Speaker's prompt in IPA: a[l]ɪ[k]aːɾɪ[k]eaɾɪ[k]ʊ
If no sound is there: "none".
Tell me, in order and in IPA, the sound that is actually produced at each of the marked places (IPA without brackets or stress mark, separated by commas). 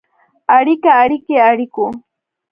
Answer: ɾ, k, k, k